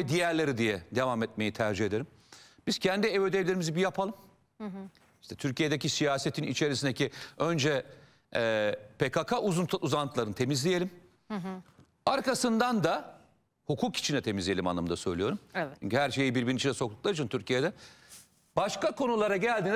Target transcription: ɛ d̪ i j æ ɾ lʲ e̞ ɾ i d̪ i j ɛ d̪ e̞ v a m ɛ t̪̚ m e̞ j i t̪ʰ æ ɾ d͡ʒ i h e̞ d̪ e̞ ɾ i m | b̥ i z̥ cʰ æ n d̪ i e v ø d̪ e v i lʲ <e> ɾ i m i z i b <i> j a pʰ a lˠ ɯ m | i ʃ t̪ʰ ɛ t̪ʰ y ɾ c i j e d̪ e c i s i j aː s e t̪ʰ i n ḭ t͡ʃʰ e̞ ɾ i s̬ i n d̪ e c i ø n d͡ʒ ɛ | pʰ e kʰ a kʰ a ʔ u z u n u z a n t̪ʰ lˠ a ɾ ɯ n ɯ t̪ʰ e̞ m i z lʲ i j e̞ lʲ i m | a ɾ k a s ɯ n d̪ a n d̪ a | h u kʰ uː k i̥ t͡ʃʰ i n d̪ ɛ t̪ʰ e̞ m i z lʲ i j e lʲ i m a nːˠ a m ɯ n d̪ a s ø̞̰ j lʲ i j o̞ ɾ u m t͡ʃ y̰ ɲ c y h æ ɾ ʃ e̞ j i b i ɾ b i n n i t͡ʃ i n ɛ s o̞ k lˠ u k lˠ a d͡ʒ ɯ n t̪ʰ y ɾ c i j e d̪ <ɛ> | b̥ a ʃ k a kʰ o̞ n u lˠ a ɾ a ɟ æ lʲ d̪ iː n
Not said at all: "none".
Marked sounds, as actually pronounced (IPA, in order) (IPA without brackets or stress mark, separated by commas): e, i, ɛ